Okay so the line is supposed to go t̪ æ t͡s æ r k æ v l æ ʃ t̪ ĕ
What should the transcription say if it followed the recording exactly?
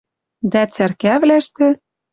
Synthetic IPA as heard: d̪ æ t͡s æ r k æ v l æ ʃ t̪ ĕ